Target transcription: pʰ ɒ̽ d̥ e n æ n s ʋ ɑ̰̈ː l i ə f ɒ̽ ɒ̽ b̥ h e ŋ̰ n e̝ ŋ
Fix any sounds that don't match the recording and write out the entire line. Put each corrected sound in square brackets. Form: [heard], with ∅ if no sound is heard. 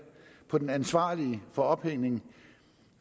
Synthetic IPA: pʰ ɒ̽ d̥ e n æ n s ʋ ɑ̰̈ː l i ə f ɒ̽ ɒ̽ b̥ h e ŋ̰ n e̝ ŋ